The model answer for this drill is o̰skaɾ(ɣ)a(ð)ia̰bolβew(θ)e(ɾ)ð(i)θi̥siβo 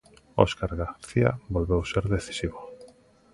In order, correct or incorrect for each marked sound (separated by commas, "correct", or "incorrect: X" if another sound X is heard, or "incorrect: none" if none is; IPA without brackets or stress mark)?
correct, incorrect: θ, incorrect: s, correct, incorrect: e